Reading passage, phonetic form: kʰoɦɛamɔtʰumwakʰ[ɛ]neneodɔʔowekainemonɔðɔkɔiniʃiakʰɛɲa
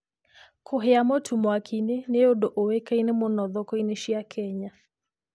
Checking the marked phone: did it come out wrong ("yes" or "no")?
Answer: yes